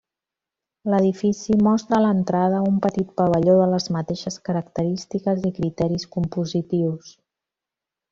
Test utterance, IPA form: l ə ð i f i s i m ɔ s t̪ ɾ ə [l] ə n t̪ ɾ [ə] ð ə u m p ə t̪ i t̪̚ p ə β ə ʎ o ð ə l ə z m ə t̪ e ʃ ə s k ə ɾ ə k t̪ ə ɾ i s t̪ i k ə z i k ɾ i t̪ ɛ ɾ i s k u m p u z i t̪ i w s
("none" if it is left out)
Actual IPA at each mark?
l, a

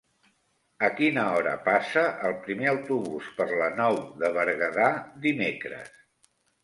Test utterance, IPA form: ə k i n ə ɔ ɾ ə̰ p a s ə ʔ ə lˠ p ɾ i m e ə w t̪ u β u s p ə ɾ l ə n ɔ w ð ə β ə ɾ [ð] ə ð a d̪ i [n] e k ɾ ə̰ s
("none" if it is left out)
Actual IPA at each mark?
ɣ, m

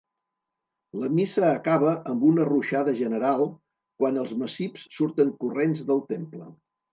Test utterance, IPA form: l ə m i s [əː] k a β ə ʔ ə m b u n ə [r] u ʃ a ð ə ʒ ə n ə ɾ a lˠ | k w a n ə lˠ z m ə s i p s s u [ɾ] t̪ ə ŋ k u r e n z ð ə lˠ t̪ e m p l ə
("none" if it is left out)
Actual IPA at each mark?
əː, r, ɾ

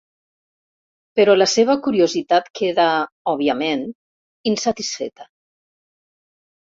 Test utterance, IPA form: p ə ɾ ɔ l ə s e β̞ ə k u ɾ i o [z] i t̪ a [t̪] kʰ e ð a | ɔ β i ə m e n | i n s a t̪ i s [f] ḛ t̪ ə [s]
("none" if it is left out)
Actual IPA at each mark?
z, t̪, f, none

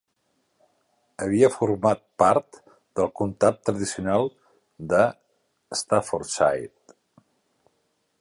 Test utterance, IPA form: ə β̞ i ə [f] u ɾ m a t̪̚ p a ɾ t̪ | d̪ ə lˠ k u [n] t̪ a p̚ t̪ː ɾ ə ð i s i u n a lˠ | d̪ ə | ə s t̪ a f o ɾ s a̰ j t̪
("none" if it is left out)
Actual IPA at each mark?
f, n

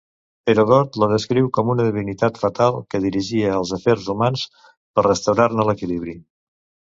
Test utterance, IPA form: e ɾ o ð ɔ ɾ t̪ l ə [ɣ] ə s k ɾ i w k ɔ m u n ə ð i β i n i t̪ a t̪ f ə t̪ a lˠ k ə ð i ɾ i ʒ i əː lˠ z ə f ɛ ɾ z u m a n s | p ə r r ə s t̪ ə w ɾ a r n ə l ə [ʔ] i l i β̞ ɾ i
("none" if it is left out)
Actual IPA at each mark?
ð, k

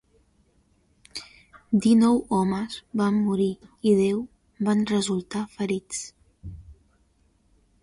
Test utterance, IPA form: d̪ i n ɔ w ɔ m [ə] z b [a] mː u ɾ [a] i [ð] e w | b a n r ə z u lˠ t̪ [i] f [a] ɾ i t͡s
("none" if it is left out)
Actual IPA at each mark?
ə, a, i, ð, a, ə

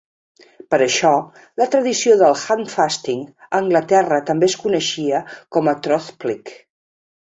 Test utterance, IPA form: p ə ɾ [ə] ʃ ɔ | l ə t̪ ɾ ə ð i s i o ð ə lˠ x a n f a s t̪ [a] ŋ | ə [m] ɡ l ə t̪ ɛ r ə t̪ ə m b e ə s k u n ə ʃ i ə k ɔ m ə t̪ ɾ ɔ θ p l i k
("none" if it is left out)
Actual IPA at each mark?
ə, i, ŋ

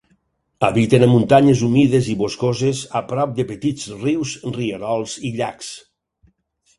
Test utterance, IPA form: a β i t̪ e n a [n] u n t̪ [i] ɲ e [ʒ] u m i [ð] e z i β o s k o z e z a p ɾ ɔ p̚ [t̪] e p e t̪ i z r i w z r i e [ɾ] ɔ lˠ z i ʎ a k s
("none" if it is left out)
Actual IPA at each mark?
m, a, z, ð, d̪, ɾ

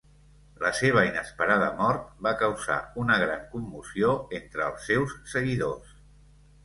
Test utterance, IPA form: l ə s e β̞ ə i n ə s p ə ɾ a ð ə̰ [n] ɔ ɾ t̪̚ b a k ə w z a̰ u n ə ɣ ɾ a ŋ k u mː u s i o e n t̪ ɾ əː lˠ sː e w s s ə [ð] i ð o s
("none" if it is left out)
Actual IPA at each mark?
m, ɣ

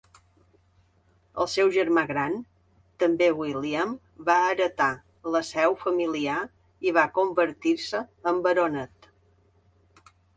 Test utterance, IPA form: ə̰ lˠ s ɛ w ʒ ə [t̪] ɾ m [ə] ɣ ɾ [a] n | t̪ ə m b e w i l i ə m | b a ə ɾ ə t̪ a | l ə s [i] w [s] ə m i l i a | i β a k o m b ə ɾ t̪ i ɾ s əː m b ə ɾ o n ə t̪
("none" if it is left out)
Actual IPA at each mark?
none, a, a, ɛ, f

